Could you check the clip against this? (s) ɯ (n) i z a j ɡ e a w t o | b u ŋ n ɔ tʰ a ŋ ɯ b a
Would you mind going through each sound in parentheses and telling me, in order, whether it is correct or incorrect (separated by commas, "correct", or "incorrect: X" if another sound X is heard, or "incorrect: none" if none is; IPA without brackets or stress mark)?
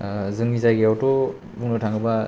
incorrect: z, incorrect: ŋ